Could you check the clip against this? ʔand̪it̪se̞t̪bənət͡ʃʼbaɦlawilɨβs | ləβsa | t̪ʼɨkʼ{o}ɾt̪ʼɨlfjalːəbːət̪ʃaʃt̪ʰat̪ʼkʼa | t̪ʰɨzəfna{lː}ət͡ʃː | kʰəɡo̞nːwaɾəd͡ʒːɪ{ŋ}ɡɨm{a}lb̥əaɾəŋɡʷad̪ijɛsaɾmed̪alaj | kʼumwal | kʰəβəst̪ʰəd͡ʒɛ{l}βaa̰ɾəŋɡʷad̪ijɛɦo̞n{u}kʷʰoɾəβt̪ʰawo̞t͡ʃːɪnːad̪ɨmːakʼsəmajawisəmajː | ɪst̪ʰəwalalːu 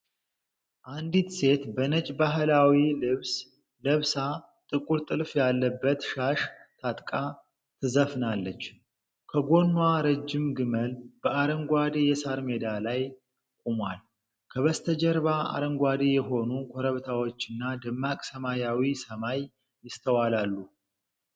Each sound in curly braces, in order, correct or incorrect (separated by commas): incorrect, correct, incorrect, incorrect, incorrect, correct